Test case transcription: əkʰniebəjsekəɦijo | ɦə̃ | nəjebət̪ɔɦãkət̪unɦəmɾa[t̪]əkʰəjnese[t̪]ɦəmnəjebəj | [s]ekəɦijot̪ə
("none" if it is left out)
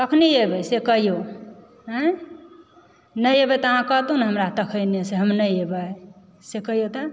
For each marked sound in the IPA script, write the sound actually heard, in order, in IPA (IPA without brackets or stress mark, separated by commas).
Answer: t̪, none, s